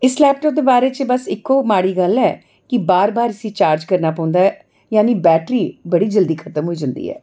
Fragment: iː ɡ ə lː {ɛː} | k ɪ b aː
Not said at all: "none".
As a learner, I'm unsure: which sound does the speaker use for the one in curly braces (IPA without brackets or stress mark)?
ɛː